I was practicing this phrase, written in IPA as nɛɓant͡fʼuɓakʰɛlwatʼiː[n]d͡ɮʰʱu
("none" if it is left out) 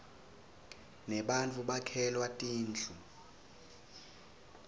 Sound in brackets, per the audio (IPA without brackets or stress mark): n